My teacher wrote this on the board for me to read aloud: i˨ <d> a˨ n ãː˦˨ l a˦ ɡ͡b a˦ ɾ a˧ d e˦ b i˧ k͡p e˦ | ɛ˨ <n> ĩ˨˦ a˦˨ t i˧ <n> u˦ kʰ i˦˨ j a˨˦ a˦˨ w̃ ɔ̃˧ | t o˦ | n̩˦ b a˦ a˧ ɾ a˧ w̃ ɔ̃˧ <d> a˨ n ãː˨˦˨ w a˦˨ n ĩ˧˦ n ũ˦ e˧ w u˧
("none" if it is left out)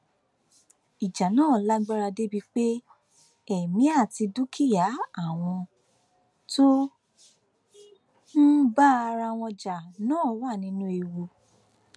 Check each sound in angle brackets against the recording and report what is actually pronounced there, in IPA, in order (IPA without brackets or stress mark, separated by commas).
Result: d͡ʒ, m, d, d͡ʒ